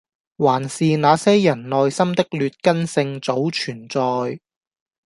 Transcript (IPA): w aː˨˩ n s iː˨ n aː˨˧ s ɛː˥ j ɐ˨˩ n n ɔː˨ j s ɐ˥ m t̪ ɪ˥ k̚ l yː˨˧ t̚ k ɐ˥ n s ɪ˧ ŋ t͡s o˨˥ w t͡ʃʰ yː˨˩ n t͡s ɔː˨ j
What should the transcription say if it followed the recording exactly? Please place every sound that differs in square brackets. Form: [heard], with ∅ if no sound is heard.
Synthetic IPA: w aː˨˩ n s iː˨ n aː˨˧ s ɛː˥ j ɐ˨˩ n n ɔː˨ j s ɐ˥ m t̪ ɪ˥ k̚ l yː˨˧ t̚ k ɐ˥ n s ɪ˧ ŋ t͡s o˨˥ w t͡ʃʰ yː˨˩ n t͡s ɔː˨ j